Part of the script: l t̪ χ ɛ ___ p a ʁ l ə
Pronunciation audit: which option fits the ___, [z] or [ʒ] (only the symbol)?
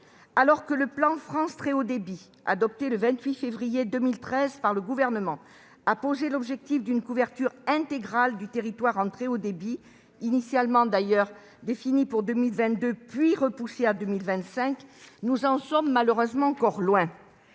z